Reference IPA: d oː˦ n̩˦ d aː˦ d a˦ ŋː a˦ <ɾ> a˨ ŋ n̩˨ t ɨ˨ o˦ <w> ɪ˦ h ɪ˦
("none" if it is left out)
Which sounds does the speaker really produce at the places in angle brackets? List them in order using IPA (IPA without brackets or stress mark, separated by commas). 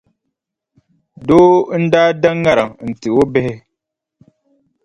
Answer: ɾ, b